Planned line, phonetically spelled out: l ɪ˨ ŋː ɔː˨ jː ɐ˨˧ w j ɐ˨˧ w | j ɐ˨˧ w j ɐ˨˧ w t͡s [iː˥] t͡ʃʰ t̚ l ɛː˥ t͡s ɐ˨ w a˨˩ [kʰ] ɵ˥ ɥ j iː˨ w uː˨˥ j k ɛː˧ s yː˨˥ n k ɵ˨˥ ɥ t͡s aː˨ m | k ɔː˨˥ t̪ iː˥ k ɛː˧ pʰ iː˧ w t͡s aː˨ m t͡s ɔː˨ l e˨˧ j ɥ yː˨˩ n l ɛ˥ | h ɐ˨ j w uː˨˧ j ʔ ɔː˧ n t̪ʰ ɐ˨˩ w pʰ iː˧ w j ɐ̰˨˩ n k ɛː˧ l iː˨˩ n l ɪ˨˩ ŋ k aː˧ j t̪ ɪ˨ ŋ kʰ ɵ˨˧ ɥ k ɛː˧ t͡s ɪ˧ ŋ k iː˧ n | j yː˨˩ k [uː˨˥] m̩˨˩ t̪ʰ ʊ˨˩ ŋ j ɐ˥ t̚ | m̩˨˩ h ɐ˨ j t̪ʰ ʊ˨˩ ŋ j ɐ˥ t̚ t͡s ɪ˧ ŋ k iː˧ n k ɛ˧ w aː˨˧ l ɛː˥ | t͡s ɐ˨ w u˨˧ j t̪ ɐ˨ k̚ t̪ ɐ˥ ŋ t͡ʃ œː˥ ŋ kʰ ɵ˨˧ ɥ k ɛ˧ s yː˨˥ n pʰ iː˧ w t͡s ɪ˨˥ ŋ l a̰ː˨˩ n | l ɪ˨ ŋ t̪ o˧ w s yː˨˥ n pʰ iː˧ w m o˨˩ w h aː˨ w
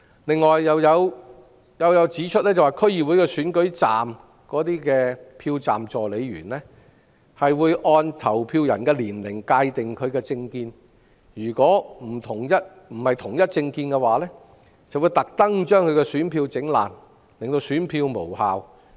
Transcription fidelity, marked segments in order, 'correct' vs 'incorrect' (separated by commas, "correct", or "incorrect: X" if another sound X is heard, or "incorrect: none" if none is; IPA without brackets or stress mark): incorrect: iː˨˥, correct, incorrect: ɔː˨˥